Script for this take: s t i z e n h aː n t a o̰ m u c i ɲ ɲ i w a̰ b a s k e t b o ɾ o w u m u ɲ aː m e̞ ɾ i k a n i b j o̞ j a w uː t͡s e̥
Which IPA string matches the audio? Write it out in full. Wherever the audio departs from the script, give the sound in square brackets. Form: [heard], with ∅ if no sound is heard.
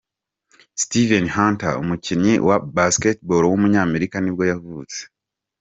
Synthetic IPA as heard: s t i [v] e n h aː n t a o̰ m u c i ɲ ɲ i w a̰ b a s k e t b o ɾ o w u m u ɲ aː m e̞ ɾ i k a n i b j o̞ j a [v] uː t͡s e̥